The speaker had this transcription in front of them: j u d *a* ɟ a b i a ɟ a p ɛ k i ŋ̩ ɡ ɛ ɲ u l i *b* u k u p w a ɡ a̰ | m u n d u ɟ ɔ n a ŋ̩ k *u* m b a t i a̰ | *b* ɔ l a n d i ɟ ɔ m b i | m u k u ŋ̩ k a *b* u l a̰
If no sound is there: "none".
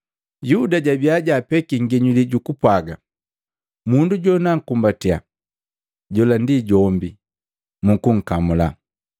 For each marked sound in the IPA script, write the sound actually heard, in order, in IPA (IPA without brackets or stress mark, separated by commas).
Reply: a, ɟ, u, ɟ, m